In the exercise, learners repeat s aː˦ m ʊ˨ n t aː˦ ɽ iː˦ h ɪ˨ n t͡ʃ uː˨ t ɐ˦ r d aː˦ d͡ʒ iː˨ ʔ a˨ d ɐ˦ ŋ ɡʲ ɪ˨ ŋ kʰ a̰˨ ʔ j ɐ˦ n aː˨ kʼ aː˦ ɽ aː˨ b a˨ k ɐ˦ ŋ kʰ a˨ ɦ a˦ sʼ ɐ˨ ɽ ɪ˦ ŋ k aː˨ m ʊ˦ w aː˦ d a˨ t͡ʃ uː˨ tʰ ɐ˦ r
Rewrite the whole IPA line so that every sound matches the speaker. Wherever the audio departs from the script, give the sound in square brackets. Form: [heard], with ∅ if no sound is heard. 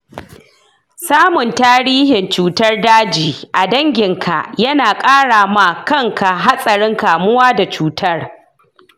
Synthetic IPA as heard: s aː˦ m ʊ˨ n t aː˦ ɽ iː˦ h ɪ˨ n t͡ʃ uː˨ t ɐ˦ r d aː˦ d͡ʒ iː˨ ʔ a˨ d ɐ˦ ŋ ɡʲ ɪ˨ ŋ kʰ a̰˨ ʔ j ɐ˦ n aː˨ kʼ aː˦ ɽ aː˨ [m] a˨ k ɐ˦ ŋ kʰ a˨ ɦ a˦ sʼ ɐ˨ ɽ ɪ˦ ŋ k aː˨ m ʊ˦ w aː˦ d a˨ t͡ʃ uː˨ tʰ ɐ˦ r